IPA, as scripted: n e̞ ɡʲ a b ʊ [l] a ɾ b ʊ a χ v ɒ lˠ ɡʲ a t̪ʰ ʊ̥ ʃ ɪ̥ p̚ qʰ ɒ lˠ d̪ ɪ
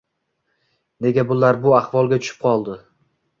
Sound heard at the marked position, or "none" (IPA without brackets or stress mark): l